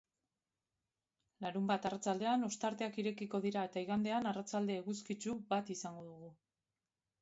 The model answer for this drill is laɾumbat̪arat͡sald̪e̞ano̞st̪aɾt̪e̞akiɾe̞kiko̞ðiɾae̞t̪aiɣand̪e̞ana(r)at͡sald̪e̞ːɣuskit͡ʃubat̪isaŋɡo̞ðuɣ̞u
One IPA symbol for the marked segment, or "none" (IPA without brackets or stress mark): r